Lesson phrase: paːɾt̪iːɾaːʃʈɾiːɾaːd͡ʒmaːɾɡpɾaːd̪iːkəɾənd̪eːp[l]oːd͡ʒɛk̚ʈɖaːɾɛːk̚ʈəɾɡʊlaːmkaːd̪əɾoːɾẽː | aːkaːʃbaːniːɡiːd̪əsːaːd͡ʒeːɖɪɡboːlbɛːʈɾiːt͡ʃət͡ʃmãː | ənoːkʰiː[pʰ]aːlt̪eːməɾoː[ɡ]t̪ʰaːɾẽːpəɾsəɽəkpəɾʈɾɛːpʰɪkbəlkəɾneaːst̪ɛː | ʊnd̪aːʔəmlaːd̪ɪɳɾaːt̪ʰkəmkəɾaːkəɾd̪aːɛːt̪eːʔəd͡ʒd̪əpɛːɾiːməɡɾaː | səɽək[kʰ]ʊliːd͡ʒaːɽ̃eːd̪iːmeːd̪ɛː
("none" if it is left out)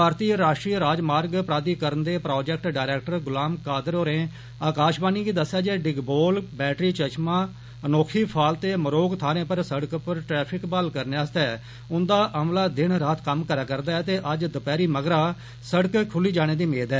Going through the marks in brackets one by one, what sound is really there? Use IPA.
ɾ, pʰ, ɡ, kʰ

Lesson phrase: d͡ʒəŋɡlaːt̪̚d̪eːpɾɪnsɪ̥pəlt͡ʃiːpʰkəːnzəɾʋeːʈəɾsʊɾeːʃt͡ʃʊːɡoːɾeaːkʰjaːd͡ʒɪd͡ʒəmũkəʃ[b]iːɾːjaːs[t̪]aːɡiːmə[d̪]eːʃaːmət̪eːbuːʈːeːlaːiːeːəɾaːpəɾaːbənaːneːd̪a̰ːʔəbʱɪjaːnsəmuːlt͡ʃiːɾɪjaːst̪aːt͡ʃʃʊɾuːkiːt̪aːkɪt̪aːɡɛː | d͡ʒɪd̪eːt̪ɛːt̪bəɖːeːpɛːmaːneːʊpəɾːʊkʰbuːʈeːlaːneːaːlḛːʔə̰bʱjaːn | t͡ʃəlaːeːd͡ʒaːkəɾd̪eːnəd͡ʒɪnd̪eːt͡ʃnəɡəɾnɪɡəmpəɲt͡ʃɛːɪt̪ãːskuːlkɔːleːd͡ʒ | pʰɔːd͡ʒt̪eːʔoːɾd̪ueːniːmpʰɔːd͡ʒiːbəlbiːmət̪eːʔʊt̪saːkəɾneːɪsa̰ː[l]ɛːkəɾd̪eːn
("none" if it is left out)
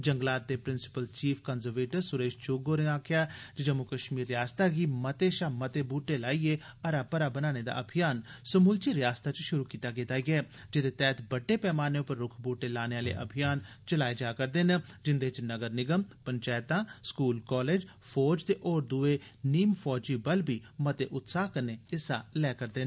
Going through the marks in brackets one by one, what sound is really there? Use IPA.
m, t̪, t̪, l

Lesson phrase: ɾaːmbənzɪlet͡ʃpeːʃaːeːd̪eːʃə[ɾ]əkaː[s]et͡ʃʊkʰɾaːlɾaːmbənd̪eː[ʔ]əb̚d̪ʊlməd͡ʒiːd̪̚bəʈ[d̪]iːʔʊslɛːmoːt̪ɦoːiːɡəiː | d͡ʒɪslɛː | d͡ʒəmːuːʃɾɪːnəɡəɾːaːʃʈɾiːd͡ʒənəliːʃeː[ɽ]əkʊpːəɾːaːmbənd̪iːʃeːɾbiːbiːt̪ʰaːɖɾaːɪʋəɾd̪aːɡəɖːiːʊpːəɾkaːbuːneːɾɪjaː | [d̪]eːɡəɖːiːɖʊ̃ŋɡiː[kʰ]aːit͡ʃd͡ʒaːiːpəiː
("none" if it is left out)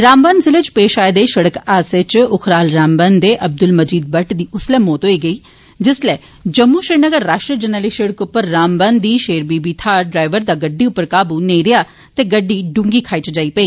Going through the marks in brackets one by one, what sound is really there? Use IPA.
ɽ, s, ʔ, d̪, ɽ, t̪, kʰ

